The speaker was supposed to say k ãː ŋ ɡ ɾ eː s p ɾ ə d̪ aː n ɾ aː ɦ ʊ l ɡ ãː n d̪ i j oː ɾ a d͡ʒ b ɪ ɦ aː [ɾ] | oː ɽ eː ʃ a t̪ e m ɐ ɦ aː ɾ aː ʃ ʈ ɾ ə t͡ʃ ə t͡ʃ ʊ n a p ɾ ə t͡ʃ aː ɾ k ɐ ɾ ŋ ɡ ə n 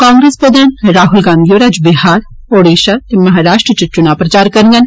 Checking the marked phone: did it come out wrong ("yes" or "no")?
no